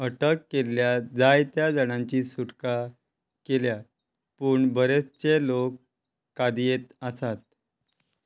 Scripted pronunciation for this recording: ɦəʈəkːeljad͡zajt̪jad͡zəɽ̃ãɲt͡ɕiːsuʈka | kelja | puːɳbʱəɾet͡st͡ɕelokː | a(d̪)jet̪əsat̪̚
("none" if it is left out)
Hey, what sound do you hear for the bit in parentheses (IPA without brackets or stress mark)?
d̪